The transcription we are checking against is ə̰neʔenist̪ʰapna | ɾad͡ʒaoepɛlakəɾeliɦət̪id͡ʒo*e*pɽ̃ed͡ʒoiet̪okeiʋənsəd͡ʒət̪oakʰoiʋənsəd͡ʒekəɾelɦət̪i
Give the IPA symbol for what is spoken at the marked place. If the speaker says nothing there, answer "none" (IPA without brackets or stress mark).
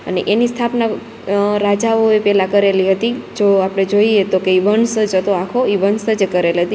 a